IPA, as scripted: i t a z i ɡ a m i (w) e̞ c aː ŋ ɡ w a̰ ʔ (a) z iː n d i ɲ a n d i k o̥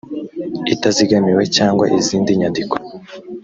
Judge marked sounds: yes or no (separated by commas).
yes, no